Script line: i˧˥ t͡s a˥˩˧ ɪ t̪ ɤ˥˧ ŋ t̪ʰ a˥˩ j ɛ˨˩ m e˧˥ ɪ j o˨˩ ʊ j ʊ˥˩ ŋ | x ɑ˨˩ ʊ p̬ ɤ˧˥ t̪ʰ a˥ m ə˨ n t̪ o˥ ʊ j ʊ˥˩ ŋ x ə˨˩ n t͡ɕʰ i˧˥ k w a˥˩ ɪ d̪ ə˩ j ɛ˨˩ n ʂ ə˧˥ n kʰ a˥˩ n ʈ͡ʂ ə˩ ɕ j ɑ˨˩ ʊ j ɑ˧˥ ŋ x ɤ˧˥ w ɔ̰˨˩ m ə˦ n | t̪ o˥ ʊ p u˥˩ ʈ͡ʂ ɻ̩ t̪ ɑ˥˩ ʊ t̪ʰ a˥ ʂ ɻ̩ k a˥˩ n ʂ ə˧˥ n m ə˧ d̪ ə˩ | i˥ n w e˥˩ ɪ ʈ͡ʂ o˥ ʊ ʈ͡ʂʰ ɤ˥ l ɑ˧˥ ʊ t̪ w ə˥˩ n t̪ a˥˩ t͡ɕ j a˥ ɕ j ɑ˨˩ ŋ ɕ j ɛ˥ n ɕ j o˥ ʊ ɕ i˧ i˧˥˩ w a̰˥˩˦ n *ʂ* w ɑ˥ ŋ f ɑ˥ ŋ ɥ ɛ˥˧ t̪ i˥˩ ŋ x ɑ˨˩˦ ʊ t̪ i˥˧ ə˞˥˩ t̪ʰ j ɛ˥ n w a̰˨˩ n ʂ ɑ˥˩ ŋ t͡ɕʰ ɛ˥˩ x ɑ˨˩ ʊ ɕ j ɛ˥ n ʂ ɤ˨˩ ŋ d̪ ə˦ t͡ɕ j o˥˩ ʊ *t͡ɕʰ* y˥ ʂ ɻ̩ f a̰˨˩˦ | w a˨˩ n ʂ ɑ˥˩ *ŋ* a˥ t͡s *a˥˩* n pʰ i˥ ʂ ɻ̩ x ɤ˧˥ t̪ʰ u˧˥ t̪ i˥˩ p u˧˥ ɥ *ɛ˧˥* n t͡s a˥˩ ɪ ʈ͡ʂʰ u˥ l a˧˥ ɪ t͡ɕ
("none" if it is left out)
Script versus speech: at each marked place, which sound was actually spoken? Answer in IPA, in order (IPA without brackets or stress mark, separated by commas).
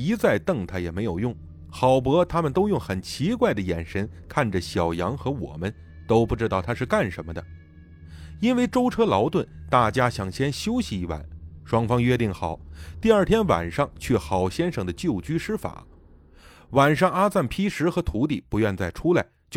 ʂ, t͡ɕ, ŋ, a˥˩, ɛ˥˧